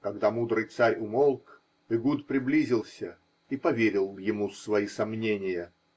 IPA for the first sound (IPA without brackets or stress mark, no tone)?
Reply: k